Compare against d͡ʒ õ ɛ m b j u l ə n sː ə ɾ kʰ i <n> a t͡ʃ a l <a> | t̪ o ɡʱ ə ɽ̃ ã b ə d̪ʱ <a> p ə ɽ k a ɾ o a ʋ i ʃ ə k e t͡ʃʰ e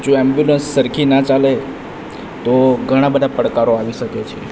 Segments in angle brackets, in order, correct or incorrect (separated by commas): correct, incorrect, correct